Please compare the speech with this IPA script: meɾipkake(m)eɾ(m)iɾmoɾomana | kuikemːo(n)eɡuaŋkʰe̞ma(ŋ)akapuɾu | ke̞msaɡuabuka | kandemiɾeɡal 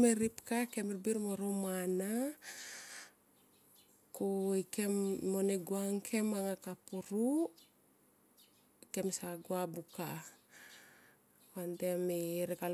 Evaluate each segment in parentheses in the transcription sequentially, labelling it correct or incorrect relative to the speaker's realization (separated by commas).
correct, incorrect, correct, correct